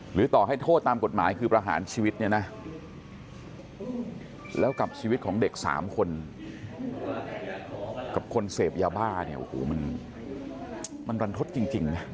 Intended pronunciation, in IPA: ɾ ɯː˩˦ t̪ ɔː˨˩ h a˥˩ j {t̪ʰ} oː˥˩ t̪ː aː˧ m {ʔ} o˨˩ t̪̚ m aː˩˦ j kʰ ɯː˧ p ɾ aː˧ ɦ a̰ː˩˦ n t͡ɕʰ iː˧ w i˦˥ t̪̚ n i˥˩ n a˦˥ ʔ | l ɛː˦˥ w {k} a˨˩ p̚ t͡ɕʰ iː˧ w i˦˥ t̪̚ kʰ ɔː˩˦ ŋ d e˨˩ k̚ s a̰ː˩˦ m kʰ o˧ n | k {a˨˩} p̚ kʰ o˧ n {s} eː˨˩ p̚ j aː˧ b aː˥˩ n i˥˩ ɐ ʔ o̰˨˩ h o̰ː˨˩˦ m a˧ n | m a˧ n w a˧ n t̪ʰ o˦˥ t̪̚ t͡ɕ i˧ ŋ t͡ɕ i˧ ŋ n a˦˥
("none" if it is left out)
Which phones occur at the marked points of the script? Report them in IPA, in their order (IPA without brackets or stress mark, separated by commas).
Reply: t̪ʰ, k, k, a˨˩, s